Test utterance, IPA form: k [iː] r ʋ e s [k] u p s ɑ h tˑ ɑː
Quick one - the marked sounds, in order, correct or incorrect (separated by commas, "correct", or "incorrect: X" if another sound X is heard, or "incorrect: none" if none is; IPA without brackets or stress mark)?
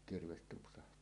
incorrect: i, incorrect: t